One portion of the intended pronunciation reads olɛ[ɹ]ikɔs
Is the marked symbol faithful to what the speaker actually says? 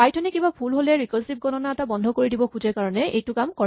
yes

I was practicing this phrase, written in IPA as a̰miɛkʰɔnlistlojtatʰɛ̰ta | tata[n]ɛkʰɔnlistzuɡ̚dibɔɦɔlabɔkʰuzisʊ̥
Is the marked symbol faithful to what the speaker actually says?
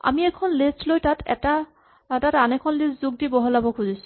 yes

